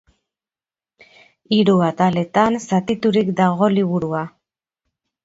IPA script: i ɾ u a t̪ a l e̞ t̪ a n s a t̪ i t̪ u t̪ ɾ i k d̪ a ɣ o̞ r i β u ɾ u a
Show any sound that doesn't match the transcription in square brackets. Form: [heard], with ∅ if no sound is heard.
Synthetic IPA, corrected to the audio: i ɾ u a t̪ a l e̞ t̪ a n s a t̪ i t̪ u [∅] ɾ i k d̪ a ɣ o̞ [l] i β u ɾ u a